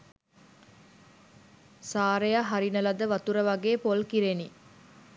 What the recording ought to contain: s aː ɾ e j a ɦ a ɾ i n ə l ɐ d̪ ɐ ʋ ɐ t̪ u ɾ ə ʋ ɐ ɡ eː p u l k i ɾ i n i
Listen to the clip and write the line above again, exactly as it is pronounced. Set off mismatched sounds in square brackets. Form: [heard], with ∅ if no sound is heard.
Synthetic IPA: s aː ɾ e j a ɦ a ɾ i n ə l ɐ d̪ [ə] ʋ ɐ t̪ u ɾ ə ʋ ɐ ɡ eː p [o] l k i ɾ [e] n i